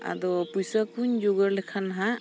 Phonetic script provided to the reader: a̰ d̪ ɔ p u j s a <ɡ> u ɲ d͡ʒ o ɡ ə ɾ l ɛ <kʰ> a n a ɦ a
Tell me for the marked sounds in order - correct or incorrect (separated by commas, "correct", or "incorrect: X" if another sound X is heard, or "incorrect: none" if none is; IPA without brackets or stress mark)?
incorrect: k, correct